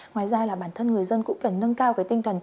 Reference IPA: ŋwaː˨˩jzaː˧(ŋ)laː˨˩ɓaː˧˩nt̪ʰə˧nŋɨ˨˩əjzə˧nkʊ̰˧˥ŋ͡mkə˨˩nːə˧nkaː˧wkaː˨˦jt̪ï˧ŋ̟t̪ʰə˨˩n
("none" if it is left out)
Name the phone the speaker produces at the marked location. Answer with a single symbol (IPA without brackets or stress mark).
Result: none